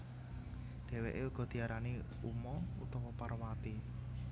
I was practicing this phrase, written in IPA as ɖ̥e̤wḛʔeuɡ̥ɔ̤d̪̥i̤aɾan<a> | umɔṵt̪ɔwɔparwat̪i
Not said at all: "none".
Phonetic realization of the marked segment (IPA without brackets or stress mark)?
i